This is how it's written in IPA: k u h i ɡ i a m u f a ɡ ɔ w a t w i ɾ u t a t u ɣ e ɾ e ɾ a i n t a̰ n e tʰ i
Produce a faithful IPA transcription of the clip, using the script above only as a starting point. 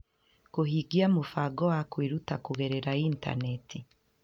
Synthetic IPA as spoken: k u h i ɡ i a m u f a ɡ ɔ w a k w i ɾ u t a k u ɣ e ɾ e ɾ a i n t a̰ n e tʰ i